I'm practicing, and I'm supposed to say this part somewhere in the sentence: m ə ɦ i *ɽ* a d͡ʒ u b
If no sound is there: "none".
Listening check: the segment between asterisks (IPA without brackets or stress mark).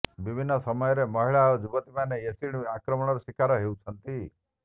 ɭ